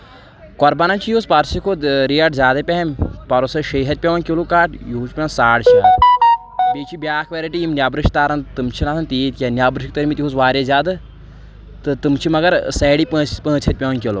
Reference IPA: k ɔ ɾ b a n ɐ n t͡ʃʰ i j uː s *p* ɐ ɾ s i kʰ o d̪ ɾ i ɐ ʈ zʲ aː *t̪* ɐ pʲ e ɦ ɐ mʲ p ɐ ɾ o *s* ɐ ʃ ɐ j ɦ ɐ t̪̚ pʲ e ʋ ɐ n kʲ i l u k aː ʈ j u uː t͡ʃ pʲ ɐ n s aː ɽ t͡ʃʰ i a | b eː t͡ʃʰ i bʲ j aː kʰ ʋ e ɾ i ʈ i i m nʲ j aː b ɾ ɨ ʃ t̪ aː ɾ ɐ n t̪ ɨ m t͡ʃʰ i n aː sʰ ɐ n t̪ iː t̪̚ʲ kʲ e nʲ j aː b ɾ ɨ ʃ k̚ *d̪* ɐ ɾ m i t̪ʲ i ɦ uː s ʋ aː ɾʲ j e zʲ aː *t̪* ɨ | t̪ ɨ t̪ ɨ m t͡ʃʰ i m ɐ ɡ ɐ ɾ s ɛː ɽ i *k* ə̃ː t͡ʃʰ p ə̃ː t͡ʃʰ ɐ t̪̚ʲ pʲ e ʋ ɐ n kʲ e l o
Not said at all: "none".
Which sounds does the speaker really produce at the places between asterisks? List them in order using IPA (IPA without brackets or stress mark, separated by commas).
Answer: p, d̪, s, t̪, d̪, p